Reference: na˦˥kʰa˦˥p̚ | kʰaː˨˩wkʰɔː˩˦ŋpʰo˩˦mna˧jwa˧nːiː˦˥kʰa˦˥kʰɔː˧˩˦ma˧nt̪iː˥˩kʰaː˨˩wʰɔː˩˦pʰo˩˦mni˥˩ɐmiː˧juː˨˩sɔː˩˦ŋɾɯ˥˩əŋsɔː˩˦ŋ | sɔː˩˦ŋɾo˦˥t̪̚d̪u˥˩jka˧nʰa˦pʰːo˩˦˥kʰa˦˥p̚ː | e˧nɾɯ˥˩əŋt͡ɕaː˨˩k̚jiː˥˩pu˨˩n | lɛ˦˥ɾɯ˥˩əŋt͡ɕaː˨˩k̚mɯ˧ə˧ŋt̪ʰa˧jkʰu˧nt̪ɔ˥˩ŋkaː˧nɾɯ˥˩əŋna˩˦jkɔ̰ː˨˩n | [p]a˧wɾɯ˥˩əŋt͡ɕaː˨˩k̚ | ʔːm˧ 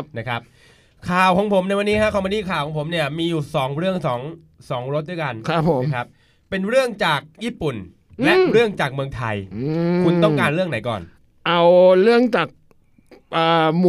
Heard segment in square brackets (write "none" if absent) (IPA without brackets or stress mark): ʔ